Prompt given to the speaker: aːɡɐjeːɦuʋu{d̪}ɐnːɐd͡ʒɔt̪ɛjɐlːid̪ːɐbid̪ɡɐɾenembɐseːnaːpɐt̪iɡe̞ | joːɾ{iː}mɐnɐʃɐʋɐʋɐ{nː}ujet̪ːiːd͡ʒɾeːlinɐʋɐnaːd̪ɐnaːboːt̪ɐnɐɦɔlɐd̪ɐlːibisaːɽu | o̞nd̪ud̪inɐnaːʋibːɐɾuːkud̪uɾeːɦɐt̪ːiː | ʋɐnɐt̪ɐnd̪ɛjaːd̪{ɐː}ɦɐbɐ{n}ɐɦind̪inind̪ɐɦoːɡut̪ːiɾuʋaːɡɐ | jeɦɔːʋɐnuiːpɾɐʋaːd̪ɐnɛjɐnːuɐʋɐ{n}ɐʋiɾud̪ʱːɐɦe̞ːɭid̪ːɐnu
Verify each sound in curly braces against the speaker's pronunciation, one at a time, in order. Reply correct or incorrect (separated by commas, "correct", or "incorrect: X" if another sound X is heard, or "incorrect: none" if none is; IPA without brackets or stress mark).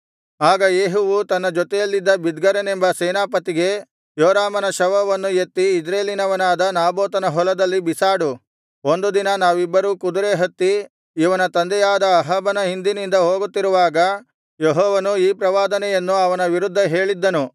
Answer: incorrect: t̪, incorrect: aː, correct, correct, correct, correct